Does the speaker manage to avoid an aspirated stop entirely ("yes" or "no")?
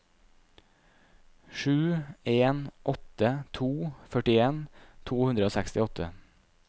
no